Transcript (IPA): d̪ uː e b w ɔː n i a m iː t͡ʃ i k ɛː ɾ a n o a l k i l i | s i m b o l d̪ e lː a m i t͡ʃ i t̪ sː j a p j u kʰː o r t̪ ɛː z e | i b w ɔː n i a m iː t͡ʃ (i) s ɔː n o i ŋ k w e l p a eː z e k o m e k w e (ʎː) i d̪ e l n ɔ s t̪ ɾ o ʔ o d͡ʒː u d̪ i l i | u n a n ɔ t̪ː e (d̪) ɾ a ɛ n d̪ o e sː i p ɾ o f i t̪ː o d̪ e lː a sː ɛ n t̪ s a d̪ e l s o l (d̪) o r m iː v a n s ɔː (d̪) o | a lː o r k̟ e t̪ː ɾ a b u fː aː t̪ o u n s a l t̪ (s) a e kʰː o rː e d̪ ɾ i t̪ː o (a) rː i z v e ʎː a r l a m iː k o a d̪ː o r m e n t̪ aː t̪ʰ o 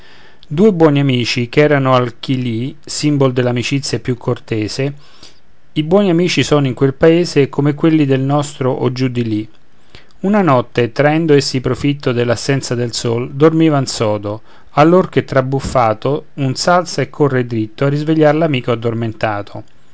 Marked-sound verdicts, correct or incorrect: correct, incorrect: lː, incorrect: t̪, correct, correct, correct, correct

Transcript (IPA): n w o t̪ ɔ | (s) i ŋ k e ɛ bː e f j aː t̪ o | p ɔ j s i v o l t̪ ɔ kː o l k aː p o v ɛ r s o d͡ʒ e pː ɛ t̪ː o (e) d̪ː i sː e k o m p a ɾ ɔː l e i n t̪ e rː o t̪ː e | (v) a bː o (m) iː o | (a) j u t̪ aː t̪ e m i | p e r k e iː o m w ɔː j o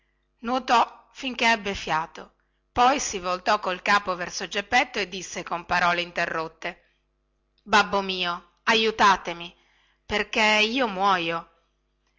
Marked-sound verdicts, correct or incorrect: incorrect: f, correct, incorrect: b, correct, correct

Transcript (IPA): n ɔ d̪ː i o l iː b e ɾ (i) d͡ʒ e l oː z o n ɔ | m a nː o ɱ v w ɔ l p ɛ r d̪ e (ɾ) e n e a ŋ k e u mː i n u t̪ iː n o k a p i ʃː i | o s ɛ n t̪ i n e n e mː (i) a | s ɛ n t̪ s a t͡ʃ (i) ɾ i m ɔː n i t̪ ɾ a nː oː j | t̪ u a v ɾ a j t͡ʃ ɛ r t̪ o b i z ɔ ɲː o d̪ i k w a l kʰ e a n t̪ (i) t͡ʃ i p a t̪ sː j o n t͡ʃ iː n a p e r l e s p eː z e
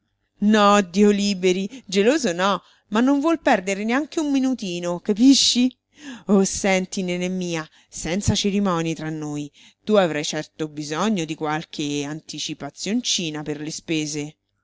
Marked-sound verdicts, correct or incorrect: correct, correct, incorrect: iː, incorrect: e, correct

